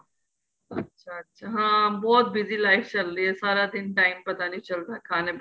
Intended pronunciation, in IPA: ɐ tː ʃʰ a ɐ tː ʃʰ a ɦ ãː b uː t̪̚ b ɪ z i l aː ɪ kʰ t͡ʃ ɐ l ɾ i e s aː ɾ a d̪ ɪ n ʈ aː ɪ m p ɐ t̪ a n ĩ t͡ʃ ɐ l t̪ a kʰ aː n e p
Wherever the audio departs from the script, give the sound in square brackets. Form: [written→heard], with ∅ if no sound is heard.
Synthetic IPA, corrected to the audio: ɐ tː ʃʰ a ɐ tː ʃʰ a ɦ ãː b [uː→ɔː] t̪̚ b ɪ z i l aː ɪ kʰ t͡ʃ ɐ l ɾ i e s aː ɾ a d̪ ɪ n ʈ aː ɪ m p ɐ t̪ a n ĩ t͡ʃ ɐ l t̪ a kʰ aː n e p